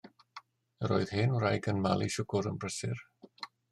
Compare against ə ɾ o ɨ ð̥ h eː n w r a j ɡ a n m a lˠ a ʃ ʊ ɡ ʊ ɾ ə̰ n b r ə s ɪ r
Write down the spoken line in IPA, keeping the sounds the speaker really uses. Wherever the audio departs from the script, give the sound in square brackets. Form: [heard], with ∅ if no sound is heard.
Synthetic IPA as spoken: ə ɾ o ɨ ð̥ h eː n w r a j ɡ [ə] n m a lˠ [i] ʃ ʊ ɡ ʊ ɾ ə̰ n b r ə s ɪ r